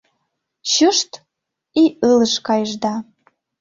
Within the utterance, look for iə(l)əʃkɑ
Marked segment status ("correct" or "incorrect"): correct